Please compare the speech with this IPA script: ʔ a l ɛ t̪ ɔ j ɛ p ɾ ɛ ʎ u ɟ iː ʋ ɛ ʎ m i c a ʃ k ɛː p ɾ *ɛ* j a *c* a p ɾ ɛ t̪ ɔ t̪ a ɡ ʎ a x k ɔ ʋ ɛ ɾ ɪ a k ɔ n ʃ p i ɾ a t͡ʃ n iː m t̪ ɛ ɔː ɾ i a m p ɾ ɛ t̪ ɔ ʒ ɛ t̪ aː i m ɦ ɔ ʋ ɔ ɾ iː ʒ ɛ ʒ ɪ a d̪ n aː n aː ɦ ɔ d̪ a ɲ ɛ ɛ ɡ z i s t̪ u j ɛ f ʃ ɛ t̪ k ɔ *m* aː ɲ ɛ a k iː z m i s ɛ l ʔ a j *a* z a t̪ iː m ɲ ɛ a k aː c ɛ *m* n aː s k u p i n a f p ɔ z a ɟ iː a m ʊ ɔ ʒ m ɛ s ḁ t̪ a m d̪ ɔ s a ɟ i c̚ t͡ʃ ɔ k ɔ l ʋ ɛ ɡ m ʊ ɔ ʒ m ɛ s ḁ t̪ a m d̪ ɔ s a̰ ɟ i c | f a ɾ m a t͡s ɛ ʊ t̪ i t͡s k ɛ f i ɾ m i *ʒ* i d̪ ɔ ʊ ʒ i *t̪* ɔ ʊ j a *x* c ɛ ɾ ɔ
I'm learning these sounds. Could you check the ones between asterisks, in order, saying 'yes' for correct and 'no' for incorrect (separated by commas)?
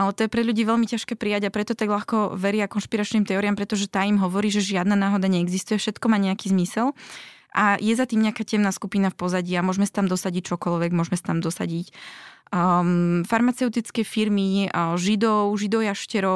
no, no, yes, no, yes, yes, no, no